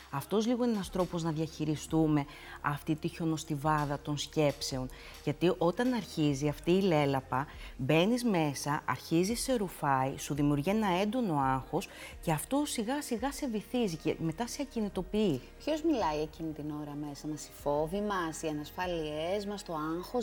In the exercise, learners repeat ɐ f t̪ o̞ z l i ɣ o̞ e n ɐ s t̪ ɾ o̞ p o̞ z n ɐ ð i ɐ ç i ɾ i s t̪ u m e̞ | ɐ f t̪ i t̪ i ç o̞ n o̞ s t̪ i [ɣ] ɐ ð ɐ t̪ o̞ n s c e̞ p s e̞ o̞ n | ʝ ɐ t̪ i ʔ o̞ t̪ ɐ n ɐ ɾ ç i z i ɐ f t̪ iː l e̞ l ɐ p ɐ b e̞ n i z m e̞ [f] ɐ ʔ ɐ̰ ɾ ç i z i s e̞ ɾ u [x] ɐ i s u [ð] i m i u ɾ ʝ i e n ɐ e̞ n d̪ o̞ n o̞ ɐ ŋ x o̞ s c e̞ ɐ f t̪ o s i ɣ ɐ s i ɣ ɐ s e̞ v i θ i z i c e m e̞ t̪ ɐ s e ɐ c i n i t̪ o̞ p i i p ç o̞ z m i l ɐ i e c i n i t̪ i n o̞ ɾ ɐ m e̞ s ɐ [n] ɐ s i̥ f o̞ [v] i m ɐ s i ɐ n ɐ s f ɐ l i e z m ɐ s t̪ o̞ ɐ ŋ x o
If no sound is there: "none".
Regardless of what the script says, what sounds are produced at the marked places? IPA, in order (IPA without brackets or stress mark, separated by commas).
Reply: v, s, f, ð, m, v